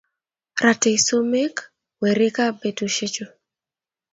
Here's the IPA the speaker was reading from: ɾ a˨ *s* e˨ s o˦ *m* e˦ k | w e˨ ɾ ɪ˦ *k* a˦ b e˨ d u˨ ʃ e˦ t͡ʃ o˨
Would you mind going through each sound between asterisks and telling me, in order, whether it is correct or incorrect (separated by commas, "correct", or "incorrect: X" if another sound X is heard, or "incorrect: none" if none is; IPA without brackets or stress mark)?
incorrect: t, correct, correct